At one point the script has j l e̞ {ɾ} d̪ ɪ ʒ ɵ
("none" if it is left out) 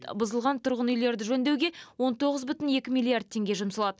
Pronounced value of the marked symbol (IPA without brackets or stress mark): ɾ